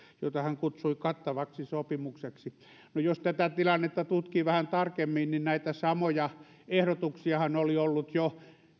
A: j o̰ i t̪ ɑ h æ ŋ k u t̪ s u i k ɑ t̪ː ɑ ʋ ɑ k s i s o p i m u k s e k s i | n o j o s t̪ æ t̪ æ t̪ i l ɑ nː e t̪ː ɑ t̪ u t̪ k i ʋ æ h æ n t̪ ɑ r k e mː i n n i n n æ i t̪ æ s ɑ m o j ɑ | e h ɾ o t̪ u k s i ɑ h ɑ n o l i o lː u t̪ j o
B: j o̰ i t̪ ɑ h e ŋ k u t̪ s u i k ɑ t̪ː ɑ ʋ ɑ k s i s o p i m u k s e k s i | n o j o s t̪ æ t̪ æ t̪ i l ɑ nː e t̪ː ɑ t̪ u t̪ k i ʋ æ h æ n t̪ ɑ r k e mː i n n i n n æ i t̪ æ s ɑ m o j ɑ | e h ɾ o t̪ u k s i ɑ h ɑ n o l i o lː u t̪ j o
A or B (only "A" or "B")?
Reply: A